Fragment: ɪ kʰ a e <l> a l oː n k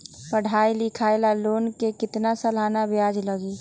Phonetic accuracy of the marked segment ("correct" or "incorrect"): correct